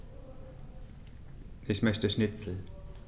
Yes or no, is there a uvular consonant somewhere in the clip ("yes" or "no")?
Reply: no